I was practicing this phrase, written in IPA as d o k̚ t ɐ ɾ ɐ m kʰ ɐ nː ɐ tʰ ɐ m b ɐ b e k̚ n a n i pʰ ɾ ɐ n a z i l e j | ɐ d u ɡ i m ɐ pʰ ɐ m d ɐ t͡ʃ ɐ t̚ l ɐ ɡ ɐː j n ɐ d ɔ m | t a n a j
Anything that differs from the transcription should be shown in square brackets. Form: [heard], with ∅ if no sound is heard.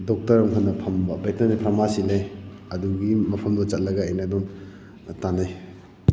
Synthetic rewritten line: d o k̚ t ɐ ɾ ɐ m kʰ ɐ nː ɐ [pʰ] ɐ m b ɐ b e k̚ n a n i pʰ ɾ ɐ [m] a [s] i l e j | ɐ d u ɡ i m ɐ pʰ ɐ m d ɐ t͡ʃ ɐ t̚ l ɐ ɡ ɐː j n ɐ d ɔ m | t a n a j